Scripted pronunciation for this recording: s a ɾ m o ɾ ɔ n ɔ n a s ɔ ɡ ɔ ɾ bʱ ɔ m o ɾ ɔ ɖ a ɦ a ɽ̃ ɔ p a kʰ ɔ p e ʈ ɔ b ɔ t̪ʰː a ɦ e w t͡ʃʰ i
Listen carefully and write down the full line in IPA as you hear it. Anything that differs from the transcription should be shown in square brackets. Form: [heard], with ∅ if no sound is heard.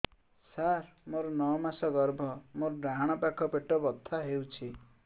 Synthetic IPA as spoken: s a ɾ m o ɾ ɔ n ɔ [m] a s ɔ ɡ ɔ ɾ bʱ ɔ m o ɾ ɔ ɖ a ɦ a ɽ̃ ɔ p a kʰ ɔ p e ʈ ɔ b ɔ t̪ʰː a ɦ e w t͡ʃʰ i